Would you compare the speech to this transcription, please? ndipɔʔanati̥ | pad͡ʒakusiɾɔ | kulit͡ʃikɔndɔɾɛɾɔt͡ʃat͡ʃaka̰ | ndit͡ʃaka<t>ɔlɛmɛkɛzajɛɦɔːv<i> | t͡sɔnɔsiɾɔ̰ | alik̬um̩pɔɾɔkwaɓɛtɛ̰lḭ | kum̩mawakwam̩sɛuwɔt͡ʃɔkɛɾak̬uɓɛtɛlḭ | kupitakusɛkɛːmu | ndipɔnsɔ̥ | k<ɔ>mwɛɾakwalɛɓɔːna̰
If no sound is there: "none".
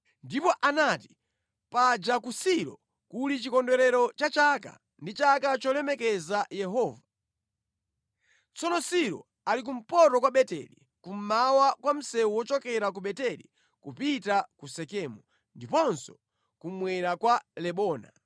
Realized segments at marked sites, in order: t͡ʃ, a, u

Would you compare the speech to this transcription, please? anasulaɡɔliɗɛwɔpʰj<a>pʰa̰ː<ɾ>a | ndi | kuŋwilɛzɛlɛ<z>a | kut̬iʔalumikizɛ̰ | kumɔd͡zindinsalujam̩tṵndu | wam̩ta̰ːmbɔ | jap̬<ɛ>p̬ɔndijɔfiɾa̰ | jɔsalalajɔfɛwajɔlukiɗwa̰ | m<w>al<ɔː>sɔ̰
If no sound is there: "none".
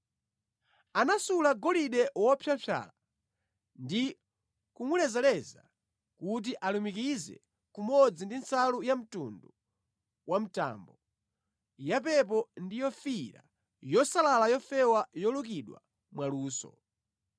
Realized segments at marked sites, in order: a, l, z, ɛ, w, uː

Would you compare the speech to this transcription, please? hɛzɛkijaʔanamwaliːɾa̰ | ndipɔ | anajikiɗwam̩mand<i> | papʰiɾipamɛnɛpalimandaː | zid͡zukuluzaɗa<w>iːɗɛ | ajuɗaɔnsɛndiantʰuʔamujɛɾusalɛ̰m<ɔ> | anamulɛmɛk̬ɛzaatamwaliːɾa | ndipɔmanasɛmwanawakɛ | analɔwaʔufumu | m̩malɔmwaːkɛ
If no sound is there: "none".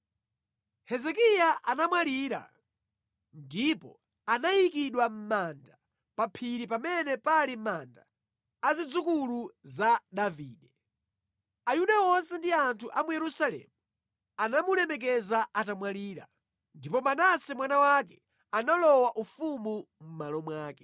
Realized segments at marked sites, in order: a, v, u

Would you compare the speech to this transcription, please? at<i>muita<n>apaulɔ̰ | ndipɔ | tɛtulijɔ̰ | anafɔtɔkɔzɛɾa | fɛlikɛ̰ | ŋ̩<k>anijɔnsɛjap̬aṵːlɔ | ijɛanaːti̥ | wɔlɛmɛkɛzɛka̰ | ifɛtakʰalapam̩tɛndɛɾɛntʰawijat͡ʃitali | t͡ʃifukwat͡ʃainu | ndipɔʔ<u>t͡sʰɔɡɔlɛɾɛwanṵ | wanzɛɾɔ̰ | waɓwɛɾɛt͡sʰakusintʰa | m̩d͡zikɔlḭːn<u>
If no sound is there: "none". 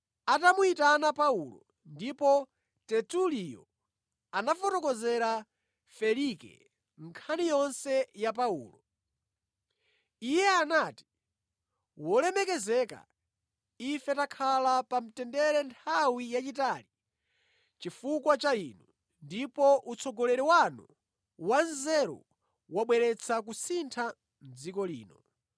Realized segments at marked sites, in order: a, n, kʰ, u, ɔ

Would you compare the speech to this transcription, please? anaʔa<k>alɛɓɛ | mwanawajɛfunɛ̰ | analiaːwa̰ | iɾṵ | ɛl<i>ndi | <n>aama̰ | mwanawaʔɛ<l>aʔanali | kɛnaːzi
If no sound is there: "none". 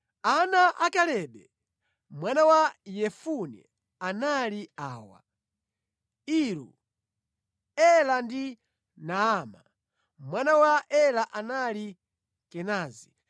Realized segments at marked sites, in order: k, a, n, l

